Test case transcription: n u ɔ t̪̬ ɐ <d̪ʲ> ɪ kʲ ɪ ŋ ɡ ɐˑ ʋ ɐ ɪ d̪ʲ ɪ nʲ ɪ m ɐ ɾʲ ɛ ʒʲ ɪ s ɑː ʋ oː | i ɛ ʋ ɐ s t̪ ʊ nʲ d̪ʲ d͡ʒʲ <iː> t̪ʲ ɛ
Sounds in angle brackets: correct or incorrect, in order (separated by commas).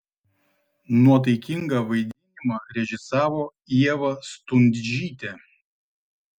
incorrect, correct